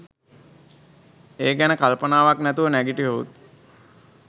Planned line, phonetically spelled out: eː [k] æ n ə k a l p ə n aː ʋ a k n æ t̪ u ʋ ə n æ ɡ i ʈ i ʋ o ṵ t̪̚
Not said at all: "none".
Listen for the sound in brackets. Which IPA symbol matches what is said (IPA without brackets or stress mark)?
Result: ɡ